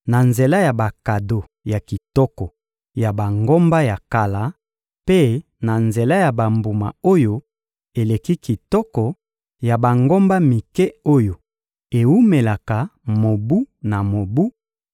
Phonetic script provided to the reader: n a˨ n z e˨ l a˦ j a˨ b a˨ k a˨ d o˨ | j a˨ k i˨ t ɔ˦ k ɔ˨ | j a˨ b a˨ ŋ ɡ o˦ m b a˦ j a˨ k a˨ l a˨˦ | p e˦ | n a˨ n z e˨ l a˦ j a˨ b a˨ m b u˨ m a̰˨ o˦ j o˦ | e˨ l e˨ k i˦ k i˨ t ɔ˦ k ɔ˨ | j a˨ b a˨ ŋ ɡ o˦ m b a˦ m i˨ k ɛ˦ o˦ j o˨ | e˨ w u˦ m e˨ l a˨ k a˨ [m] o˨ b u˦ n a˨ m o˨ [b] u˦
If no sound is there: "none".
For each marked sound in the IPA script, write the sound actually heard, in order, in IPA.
m, b

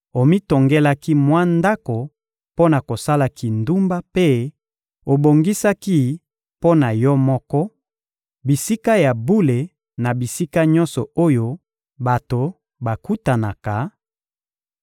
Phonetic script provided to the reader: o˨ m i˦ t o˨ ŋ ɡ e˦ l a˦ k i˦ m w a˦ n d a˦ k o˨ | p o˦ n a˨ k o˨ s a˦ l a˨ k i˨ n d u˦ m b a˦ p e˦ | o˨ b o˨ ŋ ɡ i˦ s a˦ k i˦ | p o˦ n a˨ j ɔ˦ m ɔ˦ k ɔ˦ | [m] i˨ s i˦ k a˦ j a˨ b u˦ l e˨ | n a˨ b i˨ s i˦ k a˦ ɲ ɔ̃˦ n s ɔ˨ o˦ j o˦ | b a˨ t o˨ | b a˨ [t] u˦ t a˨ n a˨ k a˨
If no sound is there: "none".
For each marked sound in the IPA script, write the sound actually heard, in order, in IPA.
b, k

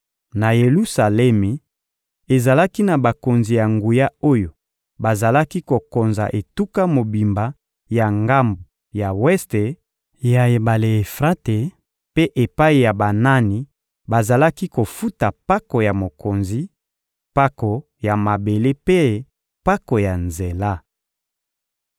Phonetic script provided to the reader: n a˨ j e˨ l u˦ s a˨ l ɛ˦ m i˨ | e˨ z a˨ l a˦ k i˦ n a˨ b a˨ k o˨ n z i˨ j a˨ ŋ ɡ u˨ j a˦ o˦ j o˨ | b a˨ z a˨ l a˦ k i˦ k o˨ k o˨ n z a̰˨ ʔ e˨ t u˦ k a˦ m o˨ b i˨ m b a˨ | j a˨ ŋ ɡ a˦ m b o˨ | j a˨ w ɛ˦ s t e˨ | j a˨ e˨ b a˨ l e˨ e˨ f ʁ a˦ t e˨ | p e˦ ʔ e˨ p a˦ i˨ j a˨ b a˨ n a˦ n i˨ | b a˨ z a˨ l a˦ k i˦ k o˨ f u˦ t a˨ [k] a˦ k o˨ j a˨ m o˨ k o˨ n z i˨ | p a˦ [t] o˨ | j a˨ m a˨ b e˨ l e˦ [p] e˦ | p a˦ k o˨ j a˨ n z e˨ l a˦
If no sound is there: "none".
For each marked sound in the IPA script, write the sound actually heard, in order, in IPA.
p, k, p

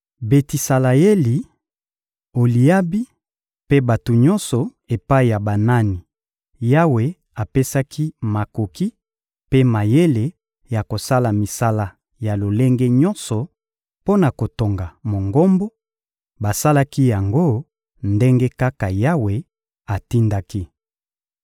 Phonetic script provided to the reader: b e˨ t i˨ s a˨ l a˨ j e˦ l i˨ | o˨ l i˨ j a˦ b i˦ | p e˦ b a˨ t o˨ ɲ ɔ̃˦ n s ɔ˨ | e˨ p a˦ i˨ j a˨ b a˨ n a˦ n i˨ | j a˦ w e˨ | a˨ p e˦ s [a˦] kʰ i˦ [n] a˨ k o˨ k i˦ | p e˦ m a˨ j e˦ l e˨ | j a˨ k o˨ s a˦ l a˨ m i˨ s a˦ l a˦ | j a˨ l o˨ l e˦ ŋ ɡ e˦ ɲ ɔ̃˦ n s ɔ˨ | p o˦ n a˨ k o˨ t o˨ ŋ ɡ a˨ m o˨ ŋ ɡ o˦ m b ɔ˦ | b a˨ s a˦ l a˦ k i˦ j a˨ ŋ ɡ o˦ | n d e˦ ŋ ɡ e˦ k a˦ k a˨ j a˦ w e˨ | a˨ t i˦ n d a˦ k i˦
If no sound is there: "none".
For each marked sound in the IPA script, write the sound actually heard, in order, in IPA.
a˦, m

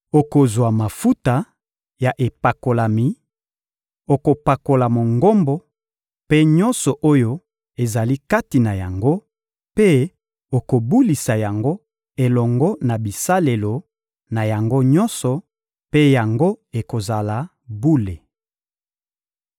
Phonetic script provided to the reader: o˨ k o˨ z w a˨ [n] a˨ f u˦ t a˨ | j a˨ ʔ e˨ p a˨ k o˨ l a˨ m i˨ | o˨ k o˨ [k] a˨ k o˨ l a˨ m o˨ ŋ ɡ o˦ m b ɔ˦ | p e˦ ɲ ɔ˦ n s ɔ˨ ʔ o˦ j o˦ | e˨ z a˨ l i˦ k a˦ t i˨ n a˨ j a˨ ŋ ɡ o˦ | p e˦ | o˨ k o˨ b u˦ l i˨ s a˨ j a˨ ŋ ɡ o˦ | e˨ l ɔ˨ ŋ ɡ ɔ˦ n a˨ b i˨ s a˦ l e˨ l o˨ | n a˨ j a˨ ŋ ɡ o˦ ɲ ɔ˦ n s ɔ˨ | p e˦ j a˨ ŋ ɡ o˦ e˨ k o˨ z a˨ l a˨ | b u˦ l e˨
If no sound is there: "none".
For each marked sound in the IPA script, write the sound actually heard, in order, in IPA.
m, p

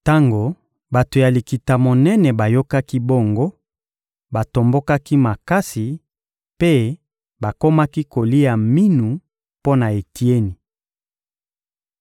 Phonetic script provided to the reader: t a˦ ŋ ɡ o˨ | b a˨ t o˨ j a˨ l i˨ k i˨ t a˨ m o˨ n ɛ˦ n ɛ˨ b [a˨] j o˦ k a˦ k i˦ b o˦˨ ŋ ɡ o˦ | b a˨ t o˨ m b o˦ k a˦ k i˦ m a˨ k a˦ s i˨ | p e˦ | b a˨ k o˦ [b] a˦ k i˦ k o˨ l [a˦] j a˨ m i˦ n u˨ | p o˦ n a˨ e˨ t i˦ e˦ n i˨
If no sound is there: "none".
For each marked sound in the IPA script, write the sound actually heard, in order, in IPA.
a˨, m, i˦

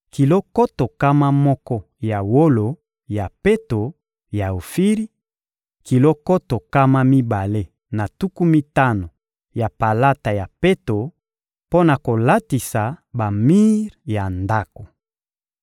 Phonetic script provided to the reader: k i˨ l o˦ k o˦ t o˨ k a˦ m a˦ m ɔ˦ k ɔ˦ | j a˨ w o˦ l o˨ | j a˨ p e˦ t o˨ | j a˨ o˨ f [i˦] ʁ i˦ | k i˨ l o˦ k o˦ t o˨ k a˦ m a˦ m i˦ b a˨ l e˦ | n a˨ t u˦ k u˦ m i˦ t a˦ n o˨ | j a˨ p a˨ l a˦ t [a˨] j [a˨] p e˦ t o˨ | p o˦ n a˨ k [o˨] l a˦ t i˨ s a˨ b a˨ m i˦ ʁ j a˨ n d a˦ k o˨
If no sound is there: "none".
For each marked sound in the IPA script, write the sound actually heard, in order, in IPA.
i˦, a˨, a˨, o˨

